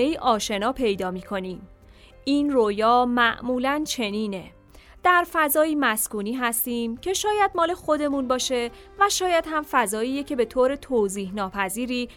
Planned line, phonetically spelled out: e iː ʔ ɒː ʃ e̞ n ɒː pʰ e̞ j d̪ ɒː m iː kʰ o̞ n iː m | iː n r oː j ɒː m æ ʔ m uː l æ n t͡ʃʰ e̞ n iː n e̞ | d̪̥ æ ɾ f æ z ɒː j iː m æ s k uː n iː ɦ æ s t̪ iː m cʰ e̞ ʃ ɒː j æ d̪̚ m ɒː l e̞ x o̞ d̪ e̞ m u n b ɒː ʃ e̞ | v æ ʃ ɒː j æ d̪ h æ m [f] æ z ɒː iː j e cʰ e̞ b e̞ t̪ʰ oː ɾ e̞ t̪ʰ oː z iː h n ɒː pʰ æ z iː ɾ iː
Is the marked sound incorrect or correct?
correct